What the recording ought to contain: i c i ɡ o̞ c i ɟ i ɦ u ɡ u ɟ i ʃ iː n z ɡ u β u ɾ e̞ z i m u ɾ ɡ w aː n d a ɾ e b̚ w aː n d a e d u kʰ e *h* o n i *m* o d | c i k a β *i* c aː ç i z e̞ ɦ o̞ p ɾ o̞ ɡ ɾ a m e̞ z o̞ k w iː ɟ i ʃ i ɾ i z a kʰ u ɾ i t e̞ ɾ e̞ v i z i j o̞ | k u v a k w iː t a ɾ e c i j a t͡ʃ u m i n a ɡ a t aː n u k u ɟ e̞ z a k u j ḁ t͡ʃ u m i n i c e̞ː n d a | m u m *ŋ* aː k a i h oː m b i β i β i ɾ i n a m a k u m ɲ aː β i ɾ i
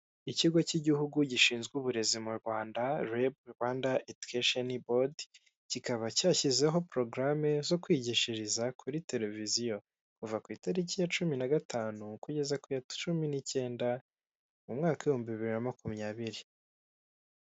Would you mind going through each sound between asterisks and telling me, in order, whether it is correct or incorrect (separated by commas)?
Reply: incorrect, incorrect, incorrect, correct